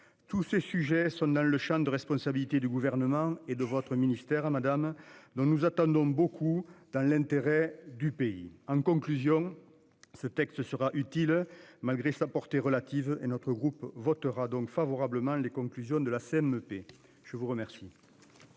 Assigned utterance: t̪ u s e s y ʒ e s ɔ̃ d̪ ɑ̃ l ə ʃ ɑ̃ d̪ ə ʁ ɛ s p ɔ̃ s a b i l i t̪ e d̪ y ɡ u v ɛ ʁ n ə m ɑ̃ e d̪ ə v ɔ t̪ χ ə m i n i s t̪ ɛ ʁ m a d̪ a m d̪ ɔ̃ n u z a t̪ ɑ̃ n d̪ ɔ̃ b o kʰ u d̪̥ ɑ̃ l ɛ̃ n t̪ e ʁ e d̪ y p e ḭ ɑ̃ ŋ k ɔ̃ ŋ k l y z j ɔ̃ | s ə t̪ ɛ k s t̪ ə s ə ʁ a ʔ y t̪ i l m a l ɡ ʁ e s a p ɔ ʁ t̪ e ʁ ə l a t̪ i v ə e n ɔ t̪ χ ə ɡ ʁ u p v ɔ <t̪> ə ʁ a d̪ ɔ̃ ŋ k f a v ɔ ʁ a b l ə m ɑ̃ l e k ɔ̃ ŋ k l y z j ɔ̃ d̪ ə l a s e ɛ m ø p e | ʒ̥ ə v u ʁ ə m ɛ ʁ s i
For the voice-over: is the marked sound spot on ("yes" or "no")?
yes